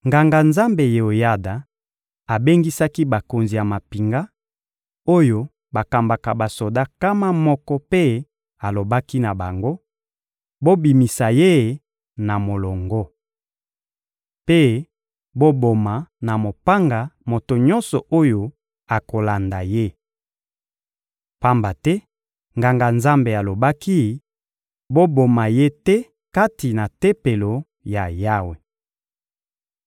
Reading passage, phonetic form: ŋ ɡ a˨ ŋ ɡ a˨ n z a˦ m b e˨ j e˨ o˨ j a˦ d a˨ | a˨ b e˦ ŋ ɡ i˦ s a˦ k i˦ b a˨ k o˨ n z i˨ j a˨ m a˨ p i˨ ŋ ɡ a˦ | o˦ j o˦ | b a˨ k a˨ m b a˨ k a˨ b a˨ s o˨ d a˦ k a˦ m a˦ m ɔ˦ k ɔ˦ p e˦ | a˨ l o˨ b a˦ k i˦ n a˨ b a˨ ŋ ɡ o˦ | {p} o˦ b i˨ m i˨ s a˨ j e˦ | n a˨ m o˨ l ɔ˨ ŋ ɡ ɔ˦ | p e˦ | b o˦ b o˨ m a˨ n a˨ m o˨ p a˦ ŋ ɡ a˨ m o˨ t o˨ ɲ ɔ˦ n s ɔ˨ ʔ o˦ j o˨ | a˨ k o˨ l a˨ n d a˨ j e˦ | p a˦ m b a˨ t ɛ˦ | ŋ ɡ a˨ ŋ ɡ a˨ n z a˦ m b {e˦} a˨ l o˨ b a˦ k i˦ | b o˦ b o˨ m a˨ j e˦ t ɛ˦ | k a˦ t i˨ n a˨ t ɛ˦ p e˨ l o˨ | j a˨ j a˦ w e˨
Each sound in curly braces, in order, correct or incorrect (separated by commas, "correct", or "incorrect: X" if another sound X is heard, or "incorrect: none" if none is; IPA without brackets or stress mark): incorrect: b, incorrect: e˨